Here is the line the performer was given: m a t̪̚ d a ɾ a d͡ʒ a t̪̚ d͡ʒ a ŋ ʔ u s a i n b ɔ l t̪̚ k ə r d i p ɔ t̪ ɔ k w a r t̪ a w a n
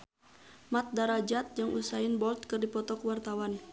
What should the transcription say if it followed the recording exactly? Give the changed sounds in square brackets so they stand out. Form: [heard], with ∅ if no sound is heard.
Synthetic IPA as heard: m a t̪̚ d a ɾ a d͡ʒ a t̪̚ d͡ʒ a ŋ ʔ u s a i n b ɔ l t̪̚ k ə r d i p ɔ t̪ ɔ k w a r t̪ a w a n